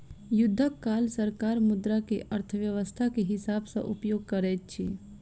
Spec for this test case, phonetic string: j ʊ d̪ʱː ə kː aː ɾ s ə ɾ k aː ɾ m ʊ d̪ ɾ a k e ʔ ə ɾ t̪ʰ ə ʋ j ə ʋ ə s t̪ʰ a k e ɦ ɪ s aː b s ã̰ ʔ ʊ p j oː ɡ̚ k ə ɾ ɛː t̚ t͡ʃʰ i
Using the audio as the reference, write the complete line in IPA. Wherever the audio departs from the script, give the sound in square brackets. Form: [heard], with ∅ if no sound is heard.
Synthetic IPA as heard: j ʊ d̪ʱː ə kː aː [l] s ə ɾ k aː ɾ m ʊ d̪ ɾ a k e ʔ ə ɾ t̪ʰ ə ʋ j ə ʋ ə s t̪ʰ a k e ɦ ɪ s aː b s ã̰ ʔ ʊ p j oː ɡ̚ k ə ɾ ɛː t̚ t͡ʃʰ i